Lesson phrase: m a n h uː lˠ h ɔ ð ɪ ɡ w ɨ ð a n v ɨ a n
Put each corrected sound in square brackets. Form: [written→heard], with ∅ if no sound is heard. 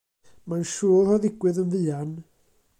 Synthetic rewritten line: m a n [h→ʃ] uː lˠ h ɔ ð ɪ ɡ w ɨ ð [a→ə] n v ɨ a n